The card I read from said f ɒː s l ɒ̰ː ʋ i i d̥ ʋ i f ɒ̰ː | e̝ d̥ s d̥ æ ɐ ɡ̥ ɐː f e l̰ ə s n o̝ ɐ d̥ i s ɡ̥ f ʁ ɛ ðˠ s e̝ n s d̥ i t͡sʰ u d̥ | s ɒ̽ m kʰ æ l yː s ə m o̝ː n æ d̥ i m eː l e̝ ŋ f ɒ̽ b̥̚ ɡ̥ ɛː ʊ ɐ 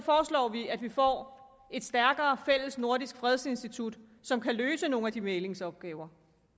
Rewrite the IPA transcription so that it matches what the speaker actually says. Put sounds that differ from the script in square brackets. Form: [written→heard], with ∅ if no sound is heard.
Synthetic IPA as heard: f ɒː s l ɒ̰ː ʋ i [i→æ] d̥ ʋ i f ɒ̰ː | e̝ d̥ s d̥ æ ɐ ɡ̥ ɐː f e l̰ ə s n o̝ ɐ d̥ i s ɡ̥ f ʁ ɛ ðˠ s e̝ n s d̥ i t͡sʰ u d̥ | s ɒ̽ m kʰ æ l [yː→øː] s ə [m→n] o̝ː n æ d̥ i m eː l e̝ ŋ [f→s] ɒ̽ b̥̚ ɡ̥ ɛː ʊ ɐ